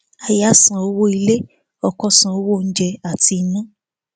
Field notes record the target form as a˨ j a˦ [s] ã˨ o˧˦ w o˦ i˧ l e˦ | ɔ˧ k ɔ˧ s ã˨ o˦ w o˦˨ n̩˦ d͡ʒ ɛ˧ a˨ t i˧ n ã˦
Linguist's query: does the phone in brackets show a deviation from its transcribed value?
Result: no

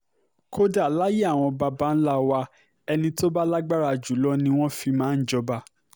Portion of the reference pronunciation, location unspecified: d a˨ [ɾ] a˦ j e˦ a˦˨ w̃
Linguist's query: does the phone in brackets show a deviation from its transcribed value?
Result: yes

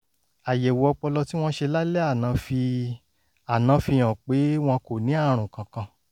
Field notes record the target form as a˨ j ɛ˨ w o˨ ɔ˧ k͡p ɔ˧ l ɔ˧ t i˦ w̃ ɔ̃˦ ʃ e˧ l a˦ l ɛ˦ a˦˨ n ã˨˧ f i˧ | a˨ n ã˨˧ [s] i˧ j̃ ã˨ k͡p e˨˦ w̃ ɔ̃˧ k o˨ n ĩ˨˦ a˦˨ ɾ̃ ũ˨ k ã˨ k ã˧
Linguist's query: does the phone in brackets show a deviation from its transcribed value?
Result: yes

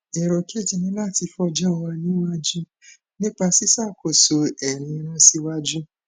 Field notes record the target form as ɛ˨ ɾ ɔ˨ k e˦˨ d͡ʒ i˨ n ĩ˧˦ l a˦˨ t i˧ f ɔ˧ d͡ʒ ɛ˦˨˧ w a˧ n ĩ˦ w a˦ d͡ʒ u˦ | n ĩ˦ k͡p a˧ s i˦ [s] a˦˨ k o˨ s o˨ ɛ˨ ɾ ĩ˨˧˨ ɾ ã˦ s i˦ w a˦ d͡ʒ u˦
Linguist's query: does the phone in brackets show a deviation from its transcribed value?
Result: no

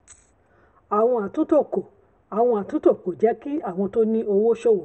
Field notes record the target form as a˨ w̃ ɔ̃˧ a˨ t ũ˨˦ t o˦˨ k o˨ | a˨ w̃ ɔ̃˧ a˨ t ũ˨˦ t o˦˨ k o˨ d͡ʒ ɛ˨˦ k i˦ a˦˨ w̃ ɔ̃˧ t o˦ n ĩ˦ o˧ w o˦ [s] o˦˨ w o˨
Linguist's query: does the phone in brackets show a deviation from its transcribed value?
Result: yes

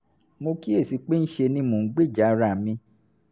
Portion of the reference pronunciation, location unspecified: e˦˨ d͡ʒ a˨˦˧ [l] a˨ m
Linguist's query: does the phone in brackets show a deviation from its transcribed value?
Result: yes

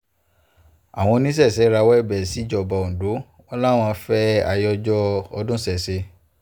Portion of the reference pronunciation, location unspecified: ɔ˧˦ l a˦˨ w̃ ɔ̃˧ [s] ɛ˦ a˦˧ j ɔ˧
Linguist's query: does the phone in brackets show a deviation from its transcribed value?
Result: yes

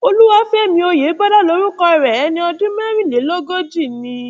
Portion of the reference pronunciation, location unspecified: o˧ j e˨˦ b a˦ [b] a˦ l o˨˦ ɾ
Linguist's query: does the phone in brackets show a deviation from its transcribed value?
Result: yes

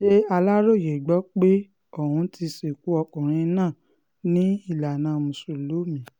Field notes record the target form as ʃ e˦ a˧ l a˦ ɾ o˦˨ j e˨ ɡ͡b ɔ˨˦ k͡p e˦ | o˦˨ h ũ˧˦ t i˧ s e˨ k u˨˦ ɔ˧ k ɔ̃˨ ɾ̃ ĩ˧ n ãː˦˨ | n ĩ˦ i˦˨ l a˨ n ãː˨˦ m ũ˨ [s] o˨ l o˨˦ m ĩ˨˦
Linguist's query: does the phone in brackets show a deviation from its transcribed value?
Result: no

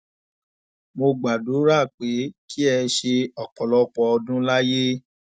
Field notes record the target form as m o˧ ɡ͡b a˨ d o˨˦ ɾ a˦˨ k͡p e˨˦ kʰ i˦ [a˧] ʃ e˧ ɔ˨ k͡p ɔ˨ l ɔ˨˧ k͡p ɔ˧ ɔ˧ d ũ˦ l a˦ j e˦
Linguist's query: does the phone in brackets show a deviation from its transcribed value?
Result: yes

